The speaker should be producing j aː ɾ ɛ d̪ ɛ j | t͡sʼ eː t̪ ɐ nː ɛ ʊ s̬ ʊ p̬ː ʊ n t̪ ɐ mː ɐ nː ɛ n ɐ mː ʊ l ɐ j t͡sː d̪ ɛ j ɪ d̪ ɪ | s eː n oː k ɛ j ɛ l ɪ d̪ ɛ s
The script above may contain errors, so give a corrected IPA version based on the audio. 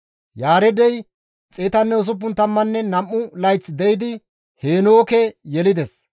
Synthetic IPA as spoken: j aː ɾ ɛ d̪ ɛ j | t͡sʼ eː t̪ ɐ nː ɛ ʊ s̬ ʊ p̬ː ʊ n t̪ ɐ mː ɐ nː ɛ n ɐ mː ʊ l ɐ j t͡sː d̪ ɛ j ɪ d̪ ɪ | h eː n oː k ɛ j ɛ l ɪ d̪ ɛ s

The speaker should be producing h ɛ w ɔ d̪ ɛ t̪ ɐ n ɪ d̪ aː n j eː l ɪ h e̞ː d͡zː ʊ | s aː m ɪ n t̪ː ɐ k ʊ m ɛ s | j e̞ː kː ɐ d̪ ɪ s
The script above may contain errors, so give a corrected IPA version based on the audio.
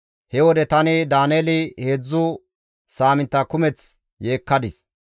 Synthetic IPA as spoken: h ɛ w ɔ d̪ ɛ t̪ ɐ n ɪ d̪ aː n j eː l ɪ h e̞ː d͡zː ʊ | s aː m ɪ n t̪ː ɐ k ʊ m ɛ t͡s | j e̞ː kː ɐ d̪ ɪ s

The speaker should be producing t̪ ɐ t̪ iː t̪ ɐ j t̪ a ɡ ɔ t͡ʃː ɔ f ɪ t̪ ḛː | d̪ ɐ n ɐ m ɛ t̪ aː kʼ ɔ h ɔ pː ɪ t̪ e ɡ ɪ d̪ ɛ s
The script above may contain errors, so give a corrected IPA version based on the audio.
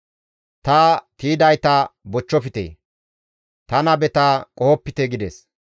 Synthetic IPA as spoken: t̪ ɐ t̪ iː d̪ ɐ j t̪ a b ɔ t͡ʃː ɔ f ɪ t̪ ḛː | t̪ ɐ n ɐ b ɛ t̪ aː kʼ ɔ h ɔ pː ɪ t̪ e ɡ ɪ d̪ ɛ s

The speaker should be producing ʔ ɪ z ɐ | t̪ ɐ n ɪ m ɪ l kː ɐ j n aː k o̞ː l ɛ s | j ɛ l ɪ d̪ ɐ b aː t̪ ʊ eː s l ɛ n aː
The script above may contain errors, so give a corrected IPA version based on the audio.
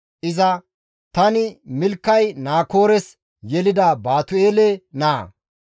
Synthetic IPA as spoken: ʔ ɪ z ɐ | t̪ ɐ n ɪ m ɪ l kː ɐ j n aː k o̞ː ɾ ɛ s | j ɛ l ɪ d̪ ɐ b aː t̪ ʊ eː l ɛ n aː

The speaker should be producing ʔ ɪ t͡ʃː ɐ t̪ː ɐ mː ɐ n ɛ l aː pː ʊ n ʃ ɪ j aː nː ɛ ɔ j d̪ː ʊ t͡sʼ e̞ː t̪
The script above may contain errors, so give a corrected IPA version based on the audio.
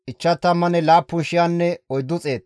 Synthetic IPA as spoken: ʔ ɪ t͡ʃː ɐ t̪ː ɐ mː ɐ n ɛ l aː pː ʊ n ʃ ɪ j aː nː ɛ ɔ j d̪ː ʊ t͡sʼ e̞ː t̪

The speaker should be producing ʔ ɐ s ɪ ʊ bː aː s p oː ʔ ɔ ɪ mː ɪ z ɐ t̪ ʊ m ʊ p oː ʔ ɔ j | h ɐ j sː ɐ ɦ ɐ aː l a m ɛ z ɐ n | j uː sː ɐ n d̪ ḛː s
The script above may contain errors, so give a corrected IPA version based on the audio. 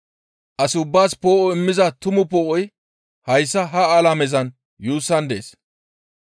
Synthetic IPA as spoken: ʔ ɐ s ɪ ʊ bː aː s p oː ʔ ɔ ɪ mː ɪ z ɐ t̪ ʊ m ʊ p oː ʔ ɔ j | h ɐ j sː ɐ ɦ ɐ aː l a m ɛ z ɐ n | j uː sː ɐ n d̪ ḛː s

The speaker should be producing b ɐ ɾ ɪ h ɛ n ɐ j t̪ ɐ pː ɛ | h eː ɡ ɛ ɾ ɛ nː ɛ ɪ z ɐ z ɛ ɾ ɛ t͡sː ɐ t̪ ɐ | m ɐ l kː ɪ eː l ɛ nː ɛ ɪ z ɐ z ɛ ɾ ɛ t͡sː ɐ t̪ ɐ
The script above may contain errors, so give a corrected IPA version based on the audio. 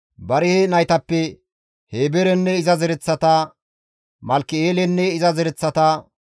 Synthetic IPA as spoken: b ɐ ɾ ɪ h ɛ n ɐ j t̪ ɐ pː ɛ | h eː b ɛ ɾ ɛ nː ɛ ɪ z ɐ z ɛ ɾ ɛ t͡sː ɐ t̪ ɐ | m ɐ l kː ɪ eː l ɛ nː ɛ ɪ z ɐ z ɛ ɾ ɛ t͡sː ɐ t̪ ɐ

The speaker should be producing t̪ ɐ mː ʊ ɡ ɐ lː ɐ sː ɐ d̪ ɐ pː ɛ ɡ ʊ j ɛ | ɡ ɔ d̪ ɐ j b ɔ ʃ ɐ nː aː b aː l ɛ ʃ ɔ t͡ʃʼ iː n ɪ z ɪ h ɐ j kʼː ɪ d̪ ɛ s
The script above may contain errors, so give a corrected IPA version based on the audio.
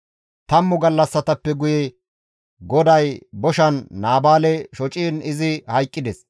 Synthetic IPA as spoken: t̪ ɐ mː ʊ ɡ ɐ lː ɐ sː ɐ t̪ ɐ pː ɛ ɡ ʊ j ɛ | ɡ ɔ d̪ ɐ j b ɔ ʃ ɐ nː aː b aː l ɛ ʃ ɔ t͡ʃʼ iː n ɪ z ɪ h ɐ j kʼː ɪ d̪ ɛ s

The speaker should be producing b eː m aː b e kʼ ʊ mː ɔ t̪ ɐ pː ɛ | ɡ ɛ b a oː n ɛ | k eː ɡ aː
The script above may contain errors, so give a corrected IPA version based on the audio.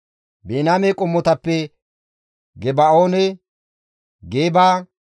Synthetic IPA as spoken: b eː n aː m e kʼ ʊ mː ɔ t̪ ɐ pː ɛ | ɡ ɛ b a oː n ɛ | ɡ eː b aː

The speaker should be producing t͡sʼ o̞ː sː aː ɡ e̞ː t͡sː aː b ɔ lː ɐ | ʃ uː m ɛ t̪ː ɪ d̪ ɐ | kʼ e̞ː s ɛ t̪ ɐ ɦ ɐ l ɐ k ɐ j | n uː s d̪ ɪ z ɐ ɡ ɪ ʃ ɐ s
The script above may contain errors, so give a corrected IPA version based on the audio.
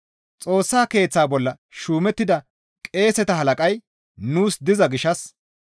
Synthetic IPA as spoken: t͡sʼ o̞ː sː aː k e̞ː t͡sː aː b ɔ lː ɐ | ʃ uː m ɛ t̪ː ɪ d̪ ɐ | kʼ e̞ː s ɛ t̪ ɐ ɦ ɐ l ɐ kʼ ɐ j | n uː s d̪ ɪ z ɐ ɡ ɪ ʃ ɐ s

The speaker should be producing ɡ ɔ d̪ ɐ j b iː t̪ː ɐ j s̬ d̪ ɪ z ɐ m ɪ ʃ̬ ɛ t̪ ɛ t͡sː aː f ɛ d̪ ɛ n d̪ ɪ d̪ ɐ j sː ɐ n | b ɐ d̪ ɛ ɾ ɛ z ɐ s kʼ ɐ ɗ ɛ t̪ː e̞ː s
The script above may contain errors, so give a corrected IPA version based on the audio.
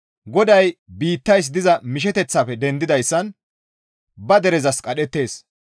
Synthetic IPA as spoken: ɡ ɔ d̪ ɐ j b iː t̪ː ɐ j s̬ d̪ ɪ z ɐ m ɪ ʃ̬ ɛ t̪ ɛ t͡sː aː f ɛ d̪ ɛ n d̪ ɪ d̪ ɐ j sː ɐ n | b ɐ d̪ ɛ ɾ ɛ z ɐ s kʼ ɐ ɗ ɛ t̪ː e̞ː s

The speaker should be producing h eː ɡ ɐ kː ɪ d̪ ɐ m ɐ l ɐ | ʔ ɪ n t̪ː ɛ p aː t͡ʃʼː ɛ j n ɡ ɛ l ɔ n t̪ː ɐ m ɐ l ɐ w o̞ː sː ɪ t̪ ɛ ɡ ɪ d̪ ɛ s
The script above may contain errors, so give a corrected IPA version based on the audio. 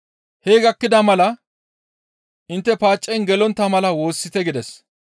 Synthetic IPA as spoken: h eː ɡ ɐ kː ɪ d̪ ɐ m ɐ l ɐ | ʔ ɪ n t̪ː ɛ p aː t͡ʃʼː ɛ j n ɡ ɛ l ɔ n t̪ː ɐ m ɐ l ɐ w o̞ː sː ɪ t̪ ɛ ɡ ɪ d̪ ɛ s

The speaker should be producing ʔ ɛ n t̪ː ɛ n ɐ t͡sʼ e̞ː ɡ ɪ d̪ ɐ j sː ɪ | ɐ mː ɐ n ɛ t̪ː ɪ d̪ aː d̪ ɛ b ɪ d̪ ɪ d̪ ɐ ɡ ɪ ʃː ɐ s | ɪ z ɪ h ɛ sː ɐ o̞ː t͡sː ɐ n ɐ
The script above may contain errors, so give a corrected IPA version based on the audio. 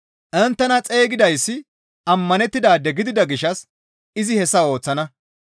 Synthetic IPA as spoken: ʔ ɛ n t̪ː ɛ n ɐ t͡sʼ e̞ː ɡ ɪ d̪ ɐ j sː ɪ | ɐ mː ɐ n ɛ t̪ː ɪ d̪ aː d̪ ɛ ɡ ɪ d̪ ɪ d̪ ɐ ɡ ɪ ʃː ɐ s | ɪ z ɪ h ɛ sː ɐ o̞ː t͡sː ɐ n ɐ

